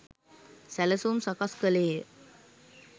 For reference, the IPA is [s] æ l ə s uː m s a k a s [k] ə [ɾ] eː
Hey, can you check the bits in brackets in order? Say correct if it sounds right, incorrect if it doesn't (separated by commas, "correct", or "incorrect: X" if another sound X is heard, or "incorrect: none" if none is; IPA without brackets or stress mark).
correct, correct, incorrect: l